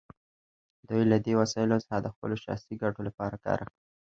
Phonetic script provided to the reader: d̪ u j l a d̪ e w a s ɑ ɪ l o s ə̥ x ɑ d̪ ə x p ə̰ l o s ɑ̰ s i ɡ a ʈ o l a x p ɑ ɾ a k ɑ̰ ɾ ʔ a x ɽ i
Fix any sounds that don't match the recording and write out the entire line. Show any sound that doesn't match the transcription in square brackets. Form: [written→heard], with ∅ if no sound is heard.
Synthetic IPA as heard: d̪ u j l a d̪ e w a s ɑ ɪ l o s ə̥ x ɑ d̪ ə x p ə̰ l o [s→ʃ] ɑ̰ s i ɡ a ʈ o l a [x→∅] p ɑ ɾ a k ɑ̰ ɾ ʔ a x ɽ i